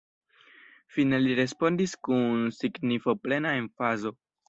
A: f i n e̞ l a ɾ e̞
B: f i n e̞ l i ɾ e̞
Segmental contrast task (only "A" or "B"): B